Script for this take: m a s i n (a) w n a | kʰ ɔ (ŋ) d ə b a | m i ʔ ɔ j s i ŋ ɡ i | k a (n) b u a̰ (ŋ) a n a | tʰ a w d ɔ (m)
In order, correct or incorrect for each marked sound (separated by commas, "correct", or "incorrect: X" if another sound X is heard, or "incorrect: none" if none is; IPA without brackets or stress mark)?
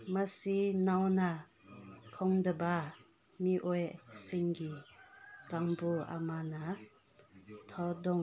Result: correct, correct, incorrect: ŋ, incorrect: m, incorrect: ŋ